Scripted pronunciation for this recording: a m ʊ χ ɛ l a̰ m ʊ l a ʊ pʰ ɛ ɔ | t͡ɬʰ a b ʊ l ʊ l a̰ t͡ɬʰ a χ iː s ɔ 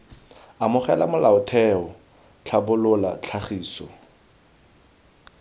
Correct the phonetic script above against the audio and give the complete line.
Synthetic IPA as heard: a m ʊ χ ɛ l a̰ m ʊ l a ʊ tʰ ɛ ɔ | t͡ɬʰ a b ʊ l ʊ l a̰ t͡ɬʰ a χ iː s ɔ